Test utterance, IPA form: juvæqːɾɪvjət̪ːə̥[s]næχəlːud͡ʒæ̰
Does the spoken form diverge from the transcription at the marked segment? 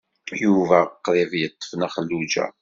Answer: yes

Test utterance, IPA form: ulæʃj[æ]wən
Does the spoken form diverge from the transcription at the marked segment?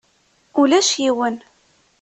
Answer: yes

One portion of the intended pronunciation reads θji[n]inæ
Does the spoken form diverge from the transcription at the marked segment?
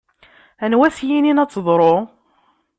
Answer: no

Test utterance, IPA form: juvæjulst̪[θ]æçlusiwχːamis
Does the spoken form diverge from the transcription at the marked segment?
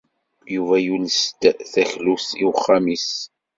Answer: no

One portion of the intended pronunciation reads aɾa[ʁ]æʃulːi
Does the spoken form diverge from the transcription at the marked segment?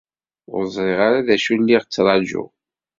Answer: yes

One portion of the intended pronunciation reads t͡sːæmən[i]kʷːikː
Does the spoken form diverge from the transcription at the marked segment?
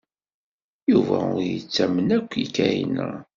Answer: yes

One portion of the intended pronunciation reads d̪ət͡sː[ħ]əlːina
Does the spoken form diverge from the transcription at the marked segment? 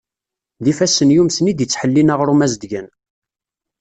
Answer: no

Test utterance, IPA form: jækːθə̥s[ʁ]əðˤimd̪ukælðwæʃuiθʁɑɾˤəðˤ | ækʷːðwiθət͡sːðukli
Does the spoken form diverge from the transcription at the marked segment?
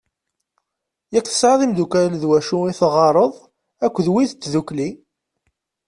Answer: yes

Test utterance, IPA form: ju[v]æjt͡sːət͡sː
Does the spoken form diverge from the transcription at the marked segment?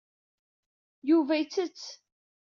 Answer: no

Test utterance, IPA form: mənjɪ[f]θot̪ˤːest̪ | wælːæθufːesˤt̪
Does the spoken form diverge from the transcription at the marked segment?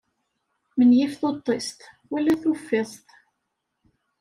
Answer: no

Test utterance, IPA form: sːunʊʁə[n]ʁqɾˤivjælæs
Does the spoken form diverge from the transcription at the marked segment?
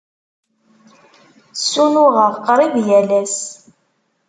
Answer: yes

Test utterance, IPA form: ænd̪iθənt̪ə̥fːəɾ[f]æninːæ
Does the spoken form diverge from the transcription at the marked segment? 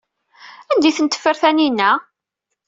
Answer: yes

